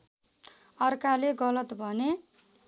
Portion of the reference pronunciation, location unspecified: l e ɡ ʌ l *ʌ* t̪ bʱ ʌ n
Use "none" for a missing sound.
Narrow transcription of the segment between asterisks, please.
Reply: ʌ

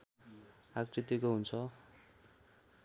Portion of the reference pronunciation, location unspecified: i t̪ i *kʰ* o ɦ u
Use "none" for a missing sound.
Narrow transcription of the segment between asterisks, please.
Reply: k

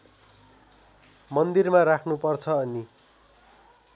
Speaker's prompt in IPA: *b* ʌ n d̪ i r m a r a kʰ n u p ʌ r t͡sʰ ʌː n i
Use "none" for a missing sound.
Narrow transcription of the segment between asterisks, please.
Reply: m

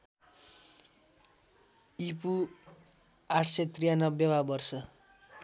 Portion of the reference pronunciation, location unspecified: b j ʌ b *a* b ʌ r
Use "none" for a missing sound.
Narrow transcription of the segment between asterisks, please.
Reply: a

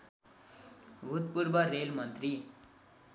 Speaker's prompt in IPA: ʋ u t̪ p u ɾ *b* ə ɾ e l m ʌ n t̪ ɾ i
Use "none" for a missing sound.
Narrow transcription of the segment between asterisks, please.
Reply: b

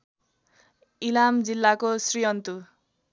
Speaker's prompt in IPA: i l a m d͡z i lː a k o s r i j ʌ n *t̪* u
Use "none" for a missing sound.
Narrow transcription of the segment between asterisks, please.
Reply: t̪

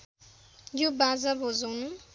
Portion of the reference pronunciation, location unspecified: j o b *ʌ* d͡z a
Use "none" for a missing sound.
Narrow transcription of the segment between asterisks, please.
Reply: a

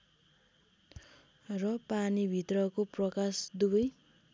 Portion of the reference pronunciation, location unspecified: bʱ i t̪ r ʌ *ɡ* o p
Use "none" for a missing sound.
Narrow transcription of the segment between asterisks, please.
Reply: k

